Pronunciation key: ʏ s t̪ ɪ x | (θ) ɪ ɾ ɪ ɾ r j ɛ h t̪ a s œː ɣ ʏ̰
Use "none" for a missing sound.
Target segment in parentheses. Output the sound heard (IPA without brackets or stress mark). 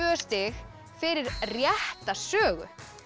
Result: f